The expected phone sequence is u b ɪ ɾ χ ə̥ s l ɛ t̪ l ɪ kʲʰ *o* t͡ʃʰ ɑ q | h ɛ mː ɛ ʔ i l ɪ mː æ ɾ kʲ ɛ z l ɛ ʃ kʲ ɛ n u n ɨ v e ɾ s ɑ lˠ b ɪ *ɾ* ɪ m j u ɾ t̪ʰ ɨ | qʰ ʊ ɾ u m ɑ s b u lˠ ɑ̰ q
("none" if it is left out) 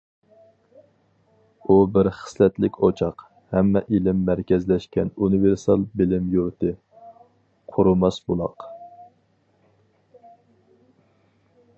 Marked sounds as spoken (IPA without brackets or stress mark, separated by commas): o, l